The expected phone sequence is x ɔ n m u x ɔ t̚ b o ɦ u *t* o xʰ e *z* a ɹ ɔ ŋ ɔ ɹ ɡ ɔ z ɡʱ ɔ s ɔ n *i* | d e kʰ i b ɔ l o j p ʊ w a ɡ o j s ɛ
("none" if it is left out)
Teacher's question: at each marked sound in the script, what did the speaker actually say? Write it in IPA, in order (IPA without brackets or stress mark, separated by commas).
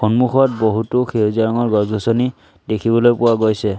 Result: t, z, i